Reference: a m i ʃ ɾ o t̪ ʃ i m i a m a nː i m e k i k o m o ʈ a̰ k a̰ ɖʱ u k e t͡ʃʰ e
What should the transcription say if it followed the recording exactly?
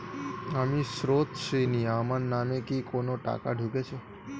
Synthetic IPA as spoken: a m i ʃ ɾ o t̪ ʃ i n i a m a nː a m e k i k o n o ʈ a̰ k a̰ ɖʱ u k e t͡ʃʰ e